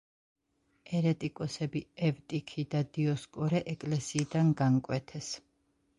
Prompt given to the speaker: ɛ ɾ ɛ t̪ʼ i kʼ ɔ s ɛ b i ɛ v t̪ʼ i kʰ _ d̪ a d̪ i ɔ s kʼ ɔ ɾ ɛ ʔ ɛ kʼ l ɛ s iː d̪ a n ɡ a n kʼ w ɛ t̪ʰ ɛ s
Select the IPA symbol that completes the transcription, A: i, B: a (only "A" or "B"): A